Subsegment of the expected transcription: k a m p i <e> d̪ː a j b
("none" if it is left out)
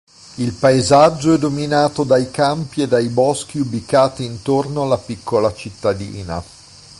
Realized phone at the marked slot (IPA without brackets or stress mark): e